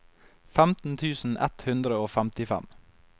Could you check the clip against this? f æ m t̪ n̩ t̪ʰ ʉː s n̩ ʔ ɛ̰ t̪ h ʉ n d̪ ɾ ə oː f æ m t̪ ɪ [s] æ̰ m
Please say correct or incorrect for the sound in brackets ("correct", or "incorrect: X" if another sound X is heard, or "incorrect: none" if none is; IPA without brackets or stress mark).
incorrect: f